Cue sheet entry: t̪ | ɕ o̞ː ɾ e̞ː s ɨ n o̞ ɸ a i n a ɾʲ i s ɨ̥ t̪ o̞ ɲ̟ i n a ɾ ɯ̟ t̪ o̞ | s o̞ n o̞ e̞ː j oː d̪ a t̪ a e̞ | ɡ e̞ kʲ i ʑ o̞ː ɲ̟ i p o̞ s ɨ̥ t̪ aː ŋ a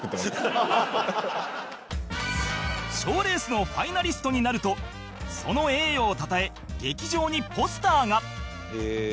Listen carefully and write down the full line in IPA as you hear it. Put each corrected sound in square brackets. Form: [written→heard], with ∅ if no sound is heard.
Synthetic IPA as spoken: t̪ | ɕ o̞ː ɾ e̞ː s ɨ n o̞ ɸ a i n a ɾʲ i s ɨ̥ t̪ o̞ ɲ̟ i n a ɾ ɯ̟ t̪ o̞ | s o̞ n o̞ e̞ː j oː [d̪→t̪] a t̪ a e̞ | ɡ e̞ kʲ i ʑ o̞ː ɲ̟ i p o̞ s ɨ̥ t̪ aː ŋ a